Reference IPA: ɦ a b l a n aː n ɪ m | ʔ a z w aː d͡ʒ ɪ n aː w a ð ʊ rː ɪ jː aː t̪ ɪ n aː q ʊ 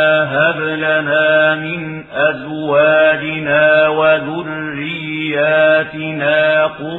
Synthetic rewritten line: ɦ a b l a n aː m ɪ n | ʔ a z w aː d͡ʒ ɪ n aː w a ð ʊ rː ɪ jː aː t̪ ɪ n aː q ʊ